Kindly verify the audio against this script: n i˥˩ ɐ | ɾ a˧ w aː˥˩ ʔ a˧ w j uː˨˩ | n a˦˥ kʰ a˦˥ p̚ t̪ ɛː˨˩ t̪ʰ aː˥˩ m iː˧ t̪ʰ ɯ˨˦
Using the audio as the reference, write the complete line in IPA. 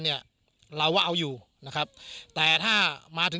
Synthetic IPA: n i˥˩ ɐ | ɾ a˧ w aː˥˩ ʔ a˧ w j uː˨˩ | n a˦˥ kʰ a˦˥ p̚ t̪ ɛː˨˩ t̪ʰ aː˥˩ m aː˧ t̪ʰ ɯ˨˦